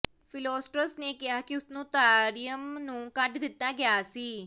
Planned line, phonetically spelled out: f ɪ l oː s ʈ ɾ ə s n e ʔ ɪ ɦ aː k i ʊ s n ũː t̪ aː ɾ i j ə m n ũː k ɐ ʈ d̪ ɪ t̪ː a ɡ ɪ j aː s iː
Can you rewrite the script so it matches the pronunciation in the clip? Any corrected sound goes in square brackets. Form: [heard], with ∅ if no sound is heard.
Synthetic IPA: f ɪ l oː s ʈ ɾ ə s n e [k] ɪ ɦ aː k i ʊ s n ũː t̪ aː ɾ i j ə m n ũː k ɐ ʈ d̪ ɪ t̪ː a ɡ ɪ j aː s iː